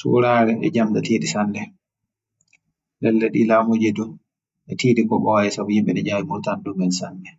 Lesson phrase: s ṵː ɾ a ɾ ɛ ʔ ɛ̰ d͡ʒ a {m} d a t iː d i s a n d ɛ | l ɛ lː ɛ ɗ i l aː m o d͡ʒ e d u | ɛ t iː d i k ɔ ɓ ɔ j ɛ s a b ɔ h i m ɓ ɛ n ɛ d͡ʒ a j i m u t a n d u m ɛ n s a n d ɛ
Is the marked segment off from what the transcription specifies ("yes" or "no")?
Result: no